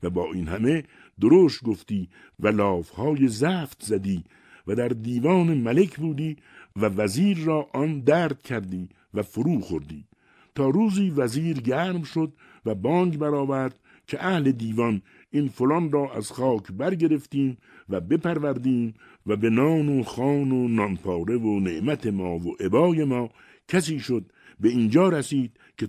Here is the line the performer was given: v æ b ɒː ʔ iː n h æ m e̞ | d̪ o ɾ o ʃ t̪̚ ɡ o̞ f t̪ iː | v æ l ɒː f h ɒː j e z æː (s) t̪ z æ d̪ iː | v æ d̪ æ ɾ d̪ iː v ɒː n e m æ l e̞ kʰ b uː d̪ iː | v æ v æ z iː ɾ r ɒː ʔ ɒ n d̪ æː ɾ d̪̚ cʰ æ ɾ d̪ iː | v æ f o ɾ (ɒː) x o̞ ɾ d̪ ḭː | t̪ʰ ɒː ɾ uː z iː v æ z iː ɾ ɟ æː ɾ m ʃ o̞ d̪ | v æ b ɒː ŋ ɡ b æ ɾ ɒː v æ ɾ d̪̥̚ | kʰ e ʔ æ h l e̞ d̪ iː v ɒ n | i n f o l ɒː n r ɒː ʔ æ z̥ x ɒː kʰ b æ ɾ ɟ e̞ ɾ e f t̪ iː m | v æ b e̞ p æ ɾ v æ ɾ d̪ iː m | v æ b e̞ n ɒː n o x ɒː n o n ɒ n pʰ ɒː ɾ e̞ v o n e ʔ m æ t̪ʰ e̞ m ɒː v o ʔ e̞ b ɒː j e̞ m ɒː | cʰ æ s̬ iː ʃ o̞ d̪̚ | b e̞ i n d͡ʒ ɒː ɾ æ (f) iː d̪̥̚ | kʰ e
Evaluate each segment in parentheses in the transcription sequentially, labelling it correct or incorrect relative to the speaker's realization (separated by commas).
incorrect, incorrect, incorrect